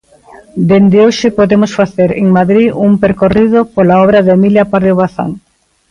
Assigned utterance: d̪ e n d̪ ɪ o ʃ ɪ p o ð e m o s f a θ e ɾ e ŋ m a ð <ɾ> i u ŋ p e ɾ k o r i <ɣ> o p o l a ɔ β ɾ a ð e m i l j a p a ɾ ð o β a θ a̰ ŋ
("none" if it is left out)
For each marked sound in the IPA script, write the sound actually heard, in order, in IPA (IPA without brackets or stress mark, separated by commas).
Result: ɾ, ð